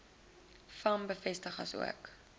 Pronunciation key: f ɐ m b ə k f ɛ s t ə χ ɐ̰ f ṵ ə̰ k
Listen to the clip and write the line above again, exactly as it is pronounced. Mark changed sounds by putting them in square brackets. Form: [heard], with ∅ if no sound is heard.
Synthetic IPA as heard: f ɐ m b ə [∅] f ɛ s t ə χ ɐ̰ [s] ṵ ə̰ k